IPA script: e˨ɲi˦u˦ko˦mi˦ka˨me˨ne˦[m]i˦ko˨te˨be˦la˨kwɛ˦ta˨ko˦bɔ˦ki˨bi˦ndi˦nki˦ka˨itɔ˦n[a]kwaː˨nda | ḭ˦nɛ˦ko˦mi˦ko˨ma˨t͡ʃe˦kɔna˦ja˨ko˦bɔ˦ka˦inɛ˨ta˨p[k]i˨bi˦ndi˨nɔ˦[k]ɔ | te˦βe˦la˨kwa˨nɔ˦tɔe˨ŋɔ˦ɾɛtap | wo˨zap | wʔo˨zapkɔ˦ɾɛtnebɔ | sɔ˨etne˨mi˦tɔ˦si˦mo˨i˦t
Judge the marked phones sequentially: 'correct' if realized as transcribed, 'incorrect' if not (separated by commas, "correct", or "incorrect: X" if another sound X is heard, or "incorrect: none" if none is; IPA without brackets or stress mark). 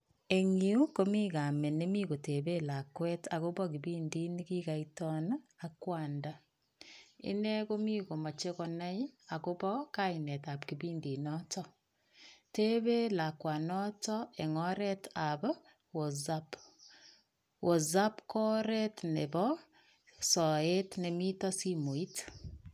correct, correct, correct, incorrect: t